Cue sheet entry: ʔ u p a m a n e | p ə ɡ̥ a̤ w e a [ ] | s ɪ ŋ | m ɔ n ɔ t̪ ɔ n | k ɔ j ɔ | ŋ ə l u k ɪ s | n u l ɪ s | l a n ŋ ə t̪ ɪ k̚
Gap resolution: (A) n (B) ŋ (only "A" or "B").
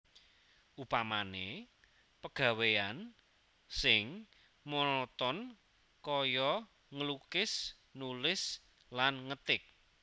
A